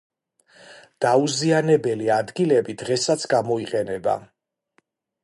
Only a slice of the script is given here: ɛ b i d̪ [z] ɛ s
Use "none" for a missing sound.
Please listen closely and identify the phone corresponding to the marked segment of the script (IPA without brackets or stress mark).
ʁ